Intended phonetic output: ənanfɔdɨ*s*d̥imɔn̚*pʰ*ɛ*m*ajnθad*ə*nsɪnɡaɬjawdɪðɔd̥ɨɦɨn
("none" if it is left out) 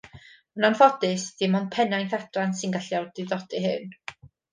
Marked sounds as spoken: s, pʰ, n, a

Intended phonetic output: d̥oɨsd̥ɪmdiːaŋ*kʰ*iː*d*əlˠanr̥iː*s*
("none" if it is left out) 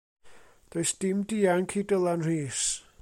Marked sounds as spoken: kʰ, d, s

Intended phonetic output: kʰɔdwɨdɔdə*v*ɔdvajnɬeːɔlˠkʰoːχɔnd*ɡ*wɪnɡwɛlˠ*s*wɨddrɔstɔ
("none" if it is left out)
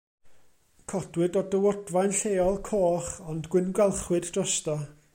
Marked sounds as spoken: w, ɡ, χ

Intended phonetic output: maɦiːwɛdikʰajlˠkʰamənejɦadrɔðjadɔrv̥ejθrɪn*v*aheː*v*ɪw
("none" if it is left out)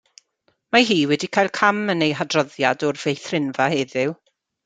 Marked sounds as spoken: v, ð

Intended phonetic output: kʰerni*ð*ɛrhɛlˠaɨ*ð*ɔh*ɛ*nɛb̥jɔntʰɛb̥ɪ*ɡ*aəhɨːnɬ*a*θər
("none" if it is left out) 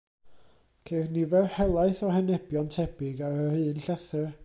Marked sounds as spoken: v, θ, ɛ, ɡ, ɛ

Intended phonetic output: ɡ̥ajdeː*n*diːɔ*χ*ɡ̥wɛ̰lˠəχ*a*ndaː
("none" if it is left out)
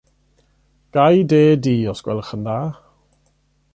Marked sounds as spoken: none, s, ə

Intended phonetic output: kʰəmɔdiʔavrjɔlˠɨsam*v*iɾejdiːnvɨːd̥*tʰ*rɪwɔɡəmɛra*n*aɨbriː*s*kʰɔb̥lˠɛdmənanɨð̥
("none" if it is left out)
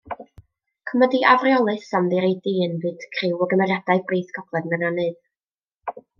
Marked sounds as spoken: ð, kʰ, d, θ

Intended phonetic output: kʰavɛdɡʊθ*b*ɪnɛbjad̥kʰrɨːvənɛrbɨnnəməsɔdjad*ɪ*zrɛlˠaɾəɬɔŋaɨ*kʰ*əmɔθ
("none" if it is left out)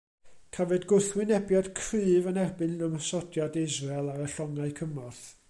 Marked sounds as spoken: w, ɪ, kʰ

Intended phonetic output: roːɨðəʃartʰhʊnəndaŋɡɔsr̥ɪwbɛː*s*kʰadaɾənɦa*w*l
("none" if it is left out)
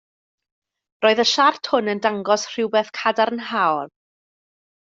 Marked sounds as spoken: θ, w

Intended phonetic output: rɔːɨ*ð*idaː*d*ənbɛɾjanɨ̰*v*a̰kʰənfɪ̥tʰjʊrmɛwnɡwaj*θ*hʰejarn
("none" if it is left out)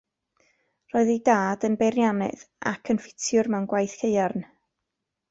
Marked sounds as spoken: ð, d, ð, θ

